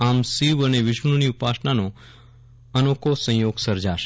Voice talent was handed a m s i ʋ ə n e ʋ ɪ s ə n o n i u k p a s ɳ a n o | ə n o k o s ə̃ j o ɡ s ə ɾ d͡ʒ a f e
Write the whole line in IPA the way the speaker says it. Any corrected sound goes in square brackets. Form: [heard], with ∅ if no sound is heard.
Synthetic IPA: a m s i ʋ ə n e ʋ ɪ [ʃ] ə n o n i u [∅] p a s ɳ a n o | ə n o k o s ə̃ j o ɡ s ə ɾ d͡ʒ a [ʃ] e